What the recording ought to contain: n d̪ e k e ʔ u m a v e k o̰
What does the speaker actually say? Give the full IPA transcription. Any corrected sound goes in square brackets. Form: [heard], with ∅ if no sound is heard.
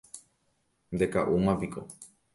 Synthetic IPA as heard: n d̪ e k [a] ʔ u m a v [i] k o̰